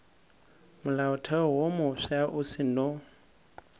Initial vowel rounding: rounded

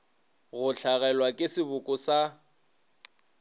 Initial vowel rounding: rounded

